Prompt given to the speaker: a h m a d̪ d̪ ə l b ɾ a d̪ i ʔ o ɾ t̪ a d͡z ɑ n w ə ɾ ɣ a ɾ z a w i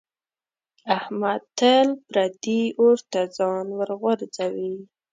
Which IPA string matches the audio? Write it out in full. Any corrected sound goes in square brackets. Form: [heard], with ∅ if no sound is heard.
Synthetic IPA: a h m a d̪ [t̪] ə l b ɾ a d̪ i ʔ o ɾ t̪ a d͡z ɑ n w ə ɾ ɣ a ɾ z a w i